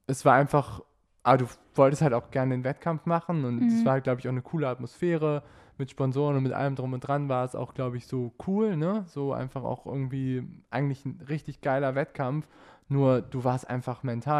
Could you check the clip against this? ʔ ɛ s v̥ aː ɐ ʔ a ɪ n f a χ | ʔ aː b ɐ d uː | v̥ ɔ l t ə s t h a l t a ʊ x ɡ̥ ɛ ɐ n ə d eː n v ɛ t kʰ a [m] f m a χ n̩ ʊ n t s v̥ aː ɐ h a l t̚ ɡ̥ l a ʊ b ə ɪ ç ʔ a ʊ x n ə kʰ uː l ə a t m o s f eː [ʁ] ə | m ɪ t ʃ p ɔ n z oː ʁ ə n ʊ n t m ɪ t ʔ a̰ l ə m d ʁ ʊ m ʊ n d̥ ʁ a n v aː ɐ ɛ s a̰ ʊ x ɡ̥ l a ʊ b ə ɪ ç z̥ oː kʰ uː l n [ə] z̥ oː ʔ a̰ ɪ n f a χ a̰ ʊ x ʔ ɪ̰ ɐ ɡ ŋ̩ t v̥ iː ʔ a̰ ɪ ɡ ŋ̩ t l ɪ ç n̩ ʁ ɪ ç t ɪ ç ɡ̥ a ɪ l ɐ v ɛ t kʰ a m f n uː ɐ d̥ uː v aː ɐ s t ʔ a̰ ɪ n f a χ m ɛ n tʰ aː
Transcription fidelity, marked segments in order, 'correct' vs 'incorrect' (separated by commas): correct, correct, correct